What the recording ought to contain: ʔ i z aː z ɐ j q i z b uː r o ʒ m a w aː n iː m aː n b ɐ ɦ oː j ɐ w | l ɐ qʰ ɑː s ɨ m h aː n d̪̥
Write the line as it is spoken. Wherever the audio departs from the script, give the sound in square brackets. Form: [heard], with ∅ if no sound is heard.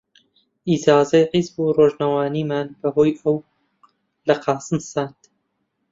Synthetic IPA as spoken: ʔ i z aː z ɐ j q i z b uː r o ʒ [n] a w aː n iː m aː n b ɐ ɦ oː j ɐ w | l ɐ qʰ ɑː s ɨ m [s] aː n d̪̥